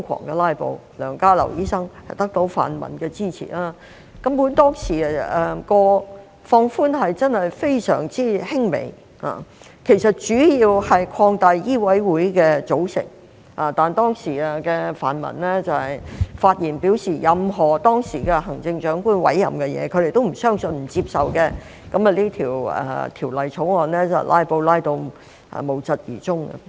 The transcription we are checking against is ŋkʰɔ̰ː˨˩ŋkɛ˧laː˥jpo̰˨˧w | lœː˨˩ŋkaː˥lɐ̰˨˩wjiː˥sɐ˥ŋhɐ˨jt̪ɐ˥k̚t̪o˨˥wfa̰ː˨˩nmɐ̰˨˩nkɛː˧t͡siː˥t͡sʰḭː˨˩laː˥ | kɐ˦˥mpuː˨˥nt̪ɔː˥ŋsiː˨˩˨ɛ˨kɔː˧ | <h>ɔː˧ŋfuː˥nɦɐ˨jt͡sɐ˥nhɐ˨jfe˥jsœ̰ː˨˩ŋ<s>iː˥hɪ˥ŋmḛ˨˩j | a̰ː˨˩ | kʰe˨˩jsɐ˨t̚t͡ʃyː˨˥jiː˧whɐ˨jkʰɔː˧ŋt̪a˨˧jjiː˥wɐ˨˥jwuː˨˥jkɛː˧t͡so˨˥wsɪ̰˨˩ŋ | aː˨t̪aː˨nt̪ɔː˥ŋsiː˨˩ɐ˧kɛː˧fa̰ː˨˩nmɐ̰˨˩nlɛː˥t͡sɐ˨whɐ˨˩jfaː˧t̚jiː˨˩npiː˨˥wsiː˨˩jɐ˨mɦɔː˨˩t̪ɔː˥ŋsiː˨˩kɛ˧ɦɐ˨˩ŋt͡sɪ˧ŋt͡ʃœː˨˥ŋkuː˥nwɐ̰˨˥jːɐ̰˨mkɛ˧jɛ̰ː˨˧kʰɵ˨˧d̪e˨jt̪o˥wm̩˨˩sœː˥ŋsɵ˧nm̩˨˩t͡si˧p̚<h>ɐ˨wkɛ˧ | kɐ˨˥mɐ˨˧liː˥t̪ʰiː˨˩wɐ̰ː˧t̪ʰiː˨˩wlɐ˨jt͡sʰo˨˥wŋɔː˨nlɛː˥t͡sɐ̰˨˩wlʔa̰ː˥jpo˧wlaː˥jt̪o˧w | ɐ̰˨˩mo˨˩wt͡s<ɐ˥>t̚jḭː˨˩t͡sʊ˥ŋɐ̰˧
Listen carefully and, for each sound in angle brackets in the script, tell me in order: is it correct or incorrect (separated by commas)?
incorrect, incorrect, incorrect, incorrect